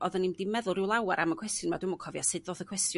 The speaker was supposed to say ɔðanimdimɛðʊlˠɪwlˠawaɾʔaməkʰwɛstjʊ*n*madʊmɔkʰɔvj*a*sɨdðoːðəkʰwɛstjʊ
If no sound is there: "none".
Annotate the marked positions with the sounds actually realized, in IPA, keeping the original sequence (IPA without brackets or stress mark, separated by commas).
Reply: n, a